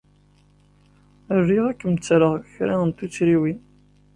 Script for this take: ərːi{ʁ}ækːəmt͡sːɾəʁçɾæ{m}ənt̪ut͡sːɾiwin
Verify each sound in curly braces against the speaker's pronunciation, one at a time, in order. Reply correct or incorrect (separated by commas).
correct, incorrect